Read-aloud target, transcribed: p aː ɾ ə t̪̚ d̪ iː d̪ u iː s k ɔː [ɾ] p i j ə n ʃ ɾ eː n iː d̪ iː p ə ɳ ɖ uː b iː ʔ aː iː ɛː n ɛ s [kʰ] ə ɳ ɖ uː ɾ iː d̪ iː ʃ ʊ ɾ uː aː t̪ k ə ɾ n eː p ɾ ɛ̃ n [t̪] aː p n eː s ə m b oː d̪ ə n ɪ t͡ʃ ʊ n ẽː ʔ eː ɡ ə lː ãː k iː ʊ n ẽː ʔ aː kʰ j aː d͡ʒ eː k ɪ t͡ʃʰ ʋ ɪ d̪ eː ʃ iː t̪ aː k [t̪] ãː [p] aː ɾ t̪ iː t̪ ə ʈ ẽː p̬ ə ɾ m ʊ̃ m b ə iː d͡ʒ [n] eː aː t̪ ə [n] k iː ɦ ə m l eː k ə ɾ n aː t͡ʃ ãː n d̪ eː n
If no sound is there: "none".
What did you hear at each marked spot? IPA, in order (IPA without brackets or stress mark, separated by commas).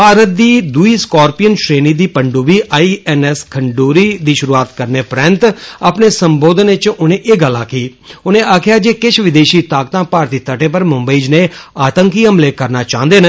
ɾ, kʰ, t̪, t̪, p, n, ŋ